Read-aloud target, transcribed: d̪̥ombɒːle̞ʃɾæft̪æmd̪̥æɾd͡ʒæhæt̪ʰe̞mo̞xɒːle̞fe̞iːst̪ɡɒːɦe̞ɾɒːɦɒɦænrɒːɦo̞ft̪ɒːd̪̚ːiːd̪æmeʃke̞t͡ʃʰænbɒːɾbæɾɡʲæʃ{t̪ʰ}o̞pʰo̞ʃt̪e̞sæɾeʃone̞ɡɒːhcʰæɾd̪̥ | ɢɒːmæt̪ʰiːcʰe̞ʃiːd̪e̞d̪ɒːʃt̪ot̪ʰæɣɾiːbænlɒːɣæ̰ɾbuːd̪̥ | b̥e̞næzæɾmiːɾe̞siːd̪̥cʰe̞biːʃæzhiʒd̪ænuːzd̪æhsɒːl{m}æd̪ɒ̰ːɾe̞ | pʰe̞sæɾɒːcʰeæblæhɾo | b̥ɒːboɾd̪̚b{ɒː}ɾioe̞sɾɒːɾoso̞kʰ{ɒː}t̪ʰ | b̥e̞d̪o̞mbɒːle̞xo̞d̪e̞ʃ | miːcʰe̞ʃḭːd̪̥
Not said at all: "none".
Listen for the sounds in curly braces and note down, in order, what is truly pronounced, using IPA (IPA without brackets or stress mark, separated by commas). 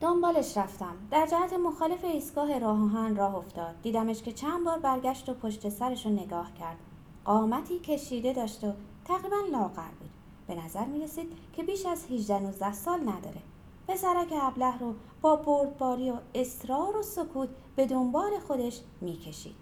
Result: t̪, n, ɒː, uː